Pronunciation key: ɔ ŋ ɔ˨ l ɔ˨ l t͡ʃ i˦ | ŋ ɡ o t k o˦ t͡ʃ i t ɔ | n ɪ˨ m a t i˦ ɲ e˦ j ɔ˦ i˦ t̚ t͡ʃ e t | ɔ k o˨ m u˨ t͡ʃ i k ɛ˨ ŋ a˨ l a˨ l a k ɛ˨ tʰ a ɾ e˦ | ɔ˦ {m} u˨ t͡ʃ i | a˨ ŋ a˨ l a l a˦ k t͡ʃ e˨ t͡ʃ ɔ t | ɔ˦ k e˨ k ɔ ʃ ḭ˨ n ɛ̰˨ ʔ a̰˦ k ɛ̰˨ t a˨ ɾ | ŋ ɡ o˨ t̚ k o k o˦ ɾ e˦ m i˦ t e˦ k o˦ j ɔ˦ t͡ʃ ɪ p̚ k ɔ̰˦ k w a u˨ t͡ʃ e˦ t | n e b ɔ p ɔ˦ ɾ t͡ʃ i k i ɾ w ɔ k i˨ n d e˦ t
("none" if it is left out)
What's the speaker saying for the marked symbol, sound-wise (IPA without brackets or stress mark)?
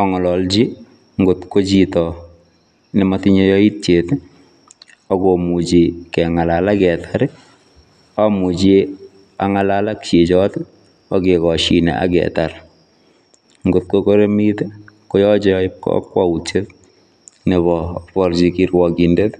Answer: m